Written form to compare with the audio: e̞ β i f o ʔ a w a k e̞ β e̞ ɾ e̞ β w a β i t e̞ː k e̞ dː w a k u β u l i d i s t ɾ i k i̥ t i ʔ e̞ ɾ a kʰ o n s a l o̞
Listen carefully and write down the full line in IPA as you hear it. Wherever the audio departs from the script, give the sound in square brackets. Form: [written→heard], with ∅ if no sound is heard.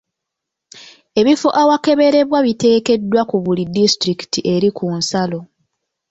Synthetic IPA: e̞ β i f o ʔ a w a k e̞ β e̞ ɾ e̞ β w a β i t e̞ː k e̞ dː w a k u β u l i d i s t ɾ i k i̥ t i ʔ e̞ ɾ [a→i] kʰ [o→u] n s a l o̞